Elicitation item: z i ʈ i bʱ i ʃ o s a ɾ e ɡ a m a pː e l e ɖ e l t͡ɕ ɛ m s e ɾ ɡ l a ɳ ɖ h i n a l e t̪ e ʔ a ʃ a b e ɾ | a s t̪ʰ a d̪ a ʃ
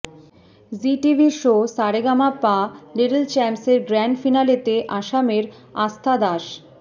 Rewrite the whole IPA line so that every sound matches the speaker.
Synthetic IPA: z i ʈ i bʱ i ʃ o s a ɾ e ɡ a m a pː a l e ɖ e l t͡ɕ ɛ m s e ɾ ɡ ɾ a ɳ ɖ f i n a l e t̪ e ʔ a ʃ a m e ɾ | a s t̪ʰ a d̪ a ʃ